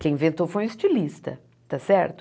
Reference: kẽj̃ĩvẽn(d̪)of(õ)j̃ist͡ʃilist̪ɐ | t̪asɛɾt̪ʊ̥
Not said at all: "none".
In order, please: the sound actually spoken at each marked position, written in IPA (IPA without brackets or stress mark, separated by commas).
t̪, o